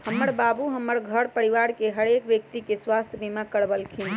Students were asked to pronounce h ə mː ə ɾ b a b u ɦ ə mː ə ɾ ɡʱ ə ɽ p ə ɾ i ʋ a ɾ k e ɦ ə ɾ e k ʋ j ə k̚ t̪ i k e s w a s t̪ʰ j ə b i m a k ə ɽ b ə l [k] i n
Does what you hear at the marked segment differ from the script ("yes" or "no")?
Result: yes